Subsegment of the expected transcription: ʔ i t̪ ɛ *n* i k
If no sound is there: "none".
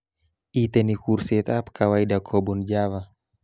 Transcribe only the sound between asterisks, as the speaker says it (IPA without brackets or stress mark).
n